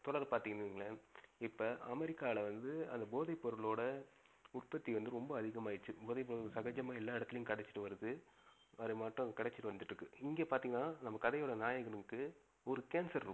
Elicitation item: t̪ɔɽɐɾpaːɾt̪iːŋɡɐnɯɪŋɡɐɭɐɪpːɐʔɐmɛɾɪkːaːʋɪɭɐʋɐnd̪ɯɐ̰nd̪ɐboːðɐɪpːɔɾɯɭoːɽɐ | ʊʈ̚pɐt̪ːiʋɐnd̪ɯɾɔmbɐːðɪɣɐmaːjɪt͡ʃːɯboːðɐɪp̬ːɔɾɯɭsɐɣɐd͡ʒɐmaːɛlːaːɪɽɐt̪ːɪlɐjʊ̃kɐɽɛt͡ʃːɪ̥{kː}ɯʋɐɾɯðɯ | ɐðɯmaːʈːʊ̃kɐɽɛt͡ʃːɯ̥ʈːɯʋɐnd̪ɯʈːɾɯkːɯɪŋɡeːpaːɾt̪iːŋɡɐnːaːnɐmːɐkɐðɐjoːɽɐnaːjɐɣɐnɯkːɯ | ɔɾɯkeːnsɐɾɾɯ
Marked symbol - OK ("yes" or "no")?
no